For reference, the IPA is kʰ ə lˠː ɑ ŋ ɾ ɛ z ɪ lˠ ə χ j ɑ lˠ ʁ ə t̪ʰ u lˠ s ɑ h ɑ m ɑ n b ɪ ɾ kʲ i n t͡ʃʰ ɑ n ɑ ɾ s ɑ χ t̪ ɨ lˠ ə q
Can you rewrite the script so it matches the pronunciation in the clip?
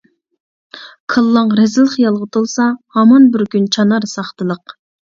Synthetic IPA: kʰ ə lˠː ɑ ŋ ɾ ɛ z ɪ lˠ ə χ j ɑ lˠ ʁ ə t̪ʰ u lˠ s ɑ h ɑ m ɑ n b ɪ ɾ kʲ y n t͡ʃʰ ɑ n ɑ ɾ s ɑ χ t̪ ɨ lˠ ə q